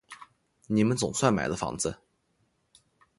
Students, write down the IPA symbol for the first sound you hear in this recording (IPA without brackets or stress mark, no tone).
n